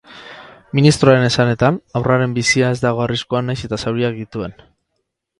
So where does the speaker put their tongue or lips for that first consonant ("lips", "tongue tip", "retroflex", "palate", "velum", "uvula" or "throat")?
lips